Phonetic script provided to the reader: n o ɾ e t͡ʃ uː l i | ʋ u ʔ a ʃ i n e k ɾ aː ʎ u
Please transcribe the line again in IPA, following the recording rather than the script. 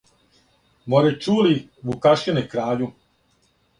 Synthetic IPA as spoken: m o ɾ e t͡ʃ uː l i | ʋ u k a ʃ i n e k ɾ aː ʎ u